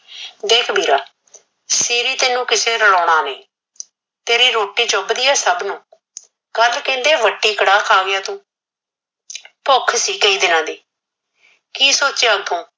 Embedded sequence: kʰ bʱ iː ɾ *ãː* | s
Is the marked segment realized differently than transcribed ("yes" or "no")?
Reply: yes